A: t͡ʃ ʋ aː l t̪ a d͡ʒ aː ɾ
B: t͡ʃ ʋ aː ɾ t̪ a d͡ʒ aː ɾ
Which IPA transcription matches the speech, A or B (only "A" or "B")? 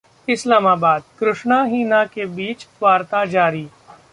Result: B